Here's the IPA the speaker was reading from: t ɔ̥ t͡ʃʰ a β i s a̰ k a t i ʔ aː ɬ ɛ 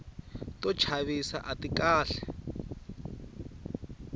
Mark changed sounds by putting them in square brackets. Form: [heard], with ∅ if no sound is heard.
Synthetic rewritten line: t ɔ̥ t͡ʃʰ a β i s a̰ [ʔ] a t i [k] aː ɬ ɛ